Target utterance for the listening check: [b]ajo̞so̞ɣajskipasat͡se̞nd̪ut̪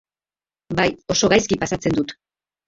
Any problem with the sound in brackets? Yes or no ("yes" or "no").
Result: no